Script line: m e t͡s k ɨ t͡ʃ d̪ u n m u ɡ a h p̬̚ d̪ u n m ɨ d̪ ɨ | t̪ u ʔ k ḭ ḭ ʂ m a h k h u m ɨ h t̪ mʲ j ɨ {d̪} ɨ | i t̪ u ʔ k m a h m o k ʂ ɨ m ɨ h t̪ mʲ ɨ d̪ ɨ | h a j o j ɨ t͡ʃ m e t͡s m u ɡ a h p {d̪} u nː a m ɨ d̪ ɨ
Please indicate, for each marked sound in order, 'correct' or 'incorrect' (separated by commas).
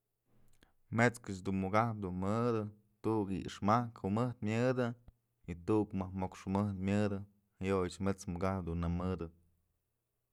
correct, correct